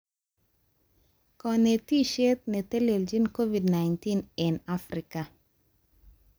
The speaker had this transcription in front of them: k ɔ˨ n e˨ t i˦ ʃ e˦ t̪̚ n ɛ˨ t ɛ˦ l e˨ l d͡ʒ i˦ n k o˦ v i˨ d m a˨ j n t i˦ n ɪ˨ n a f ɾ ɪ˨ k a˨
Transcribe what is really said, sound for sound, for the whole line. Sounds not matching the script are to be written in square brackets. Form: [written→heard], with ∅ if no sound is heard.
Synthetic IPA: k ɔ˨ n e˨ t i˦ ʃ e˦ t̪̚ n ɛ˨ t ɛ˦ l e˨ l d͡ʒ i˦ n k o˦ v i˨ d [m→n] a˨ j n t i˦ n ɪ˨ n a f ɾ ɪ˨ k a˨

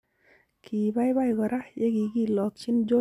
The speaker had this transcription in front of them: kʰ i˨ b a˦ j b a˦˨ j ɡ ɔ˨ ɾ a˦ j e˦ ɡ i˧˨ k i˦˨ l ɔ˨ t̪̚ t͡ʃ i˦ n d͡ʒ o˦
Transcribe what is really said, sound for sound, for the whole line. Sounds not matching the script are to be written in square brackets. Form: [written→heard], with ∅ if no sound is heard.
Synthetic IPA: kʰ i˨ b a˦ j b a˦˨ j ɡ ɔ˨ ɾ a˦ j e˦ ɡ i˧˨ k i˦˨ l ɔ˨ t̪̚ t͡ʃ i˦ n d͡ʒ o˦

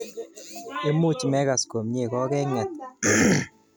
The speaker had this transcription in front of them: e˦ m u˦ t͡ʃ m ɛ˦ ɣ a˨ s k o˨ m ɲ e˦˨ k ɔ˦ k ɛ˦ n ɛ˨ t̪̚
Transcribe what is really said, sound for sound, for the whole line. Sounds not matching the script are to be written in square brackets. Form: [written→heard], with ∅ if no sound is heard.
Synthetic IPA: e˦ m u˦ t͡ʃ m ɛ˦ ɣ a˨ s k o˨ m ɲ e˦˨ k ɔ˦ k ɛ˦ [n→ŋ] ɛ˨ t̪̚

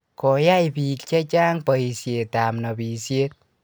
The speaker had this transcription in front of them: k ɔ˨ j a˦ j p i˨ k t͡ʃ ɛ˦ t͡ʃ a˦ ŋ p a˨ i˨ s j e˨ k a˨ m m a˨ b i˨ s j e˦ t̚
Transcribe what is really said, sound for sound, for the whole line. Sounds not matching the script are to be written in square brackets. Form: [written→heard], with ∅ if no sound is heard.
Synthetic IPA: k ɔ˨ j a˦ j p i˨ k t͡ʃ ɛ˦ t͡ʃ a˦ ŋ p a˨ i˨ s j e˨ [k→t] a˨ m [m→n] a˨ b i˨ s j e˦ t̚

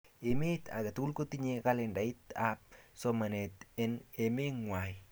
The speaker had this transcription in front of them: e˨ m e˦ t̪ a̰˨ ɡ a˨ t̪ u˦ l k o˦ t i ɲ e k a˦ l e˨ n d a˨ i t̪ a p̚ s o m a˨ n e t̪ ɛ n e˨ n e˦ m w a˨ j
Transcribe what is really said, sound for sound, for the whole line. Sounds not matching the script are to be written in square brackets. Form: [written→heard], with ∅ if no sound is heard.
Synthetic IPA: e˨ m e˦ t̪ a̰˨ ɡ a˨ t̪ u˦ l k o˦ t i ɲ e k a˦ l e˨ n d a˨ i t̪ a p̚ s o m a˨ n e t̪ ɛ n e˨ [n→m] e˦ [m→ŋ] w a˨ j

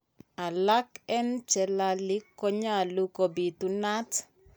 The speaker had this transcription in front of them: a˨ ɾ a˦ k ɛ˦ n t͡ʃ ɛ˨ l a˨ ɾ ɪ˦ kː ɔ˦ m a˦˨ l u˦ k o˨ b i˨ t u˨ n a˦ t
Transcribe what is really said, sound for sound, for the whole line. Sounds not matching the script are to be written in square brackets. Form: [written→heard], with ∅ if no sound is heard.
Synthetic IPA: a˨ [ɾ→l] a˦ k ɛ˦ n t͡ʃ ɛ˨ l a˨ [ɾ→l] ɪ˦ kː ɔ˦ [m→ɲ] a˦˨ l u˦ k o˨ b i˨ t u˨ n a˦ t

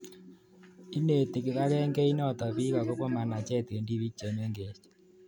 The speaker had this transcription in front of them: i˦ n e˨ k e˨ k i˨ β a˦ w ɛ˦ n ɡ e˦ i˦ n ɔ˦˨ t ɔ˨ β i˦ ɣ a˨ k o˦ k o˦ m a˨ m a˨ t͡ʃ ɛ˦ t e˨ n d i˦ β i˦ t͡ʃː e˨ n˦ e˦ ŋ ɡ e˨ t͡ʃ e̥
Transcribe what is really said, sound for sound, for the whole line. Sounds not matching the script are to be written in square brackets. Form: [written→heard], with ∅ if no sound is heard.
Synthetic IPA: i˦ n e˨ [k→t] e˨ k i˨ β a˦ [w→ɣ] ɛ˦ [n→ŋ] ɡ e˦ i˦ n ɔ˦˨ t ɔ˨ β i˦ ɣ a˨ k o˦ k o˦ m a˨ [m→n] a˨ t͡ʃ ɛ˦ t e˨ n d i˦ β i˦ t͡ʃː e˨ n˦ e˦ ŋ ɡ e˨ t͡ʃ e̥

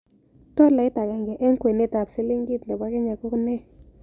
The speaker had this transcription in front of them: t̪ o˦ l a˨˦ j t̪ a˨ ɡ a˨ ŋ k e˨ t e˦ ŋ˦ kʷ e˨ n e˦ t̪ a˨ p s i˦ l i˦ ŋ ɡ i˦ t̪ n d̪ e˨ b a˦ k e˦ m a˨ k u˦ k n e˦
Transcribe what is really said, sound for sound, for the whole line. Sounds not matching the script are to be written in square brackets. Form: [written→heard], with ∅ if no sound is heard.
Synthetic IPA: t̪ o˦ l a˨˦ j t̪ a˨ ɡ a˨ ŋ [k→ɡ] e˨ [t→ʔ] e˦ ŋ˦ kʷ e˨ n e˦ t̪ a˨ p s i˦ l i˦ ŋ ɡ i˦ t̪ n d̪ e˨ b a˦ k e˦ [m→ɲ] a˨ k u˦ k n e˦

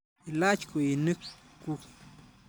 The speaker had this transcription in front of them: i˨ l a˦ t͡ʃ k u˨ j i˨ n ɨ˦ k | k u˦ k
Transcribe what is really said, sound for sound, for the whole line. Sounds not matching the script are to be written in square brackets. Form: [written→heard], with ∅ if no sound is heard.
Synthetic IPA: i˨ l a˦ t͡ʃ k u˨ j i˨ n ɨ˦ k | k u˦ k

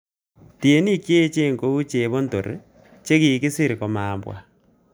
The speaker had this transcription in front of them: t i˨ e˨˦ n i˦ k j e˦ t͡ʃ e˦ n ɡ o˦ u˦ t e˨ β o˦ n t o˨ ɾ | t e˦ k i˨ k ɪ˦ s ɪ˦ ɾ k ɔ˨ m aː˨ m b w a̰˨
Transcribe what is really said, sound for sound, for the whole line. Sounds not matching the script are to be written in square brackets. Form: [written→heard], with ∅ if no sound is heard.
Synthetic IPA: t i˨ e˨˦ n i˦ k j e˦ t͡ʃ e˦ [n→ŋ] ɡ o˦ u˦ [t→t͡ʃ] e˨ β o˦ n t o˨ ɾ | [t→t͡ʃ] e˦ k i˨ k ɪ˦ s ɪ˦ ɾ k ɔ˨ m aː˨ m b w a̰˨

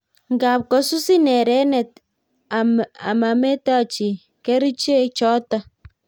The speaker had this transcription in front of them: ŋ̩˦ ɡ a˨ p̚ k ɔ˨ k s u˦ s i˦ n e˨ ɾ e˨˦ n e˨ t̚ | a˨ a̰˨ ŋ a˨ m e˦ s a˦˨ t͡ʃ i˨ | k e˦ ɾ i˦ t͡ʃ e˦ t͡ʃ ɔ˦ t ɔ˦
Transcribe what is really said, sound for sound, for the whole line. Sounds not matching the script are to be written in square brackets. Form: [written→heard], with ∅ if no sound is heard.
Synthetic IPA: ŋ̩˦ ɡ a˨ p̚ k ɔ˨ [k→∅] s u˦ s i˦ n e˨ ɾ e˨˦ n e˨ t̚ | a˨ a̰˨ [ŋ→m] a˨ m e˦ [s→t] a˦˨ t͡ʃ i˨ | k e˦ ɾ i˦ t͡ʃ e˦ t͡ʃ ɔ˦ t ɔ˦

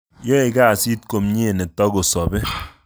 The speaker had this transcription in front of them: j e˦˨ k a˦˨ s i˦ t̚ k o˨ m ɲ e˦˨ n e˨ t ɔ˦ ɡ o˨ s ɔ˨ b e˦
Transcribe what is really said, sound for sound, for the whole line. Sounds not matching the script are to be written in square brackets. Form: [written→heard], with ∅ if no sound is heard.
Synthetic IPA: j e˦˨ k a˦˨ s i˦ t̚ k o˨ m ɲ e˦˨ n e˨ t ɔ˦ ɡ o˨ s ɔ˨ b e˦

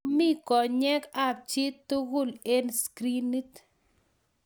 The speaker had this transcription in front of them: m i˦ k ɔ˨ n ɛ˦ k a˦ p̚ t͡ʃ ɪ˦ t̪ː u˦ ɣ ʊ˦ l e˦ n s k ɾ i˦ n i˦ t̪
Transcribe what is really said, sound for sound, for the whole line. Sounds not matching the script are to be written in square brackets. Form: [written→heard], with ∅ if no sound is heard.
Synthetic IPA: m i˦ k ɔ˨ [n→ɲ] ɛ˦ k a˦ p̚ t͡ʃ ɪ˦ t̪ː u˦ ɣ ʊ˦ l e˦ n s k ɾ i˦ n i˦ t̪

